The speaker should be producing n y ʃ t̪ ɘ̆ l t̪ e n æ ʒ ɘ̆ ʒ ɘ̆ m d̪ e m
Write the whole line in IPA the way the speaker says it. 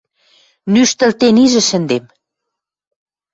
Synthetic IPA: n y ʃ t̪ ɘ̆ l t̪ e n i ʒ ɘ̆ ʃ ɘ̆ n d̪ e m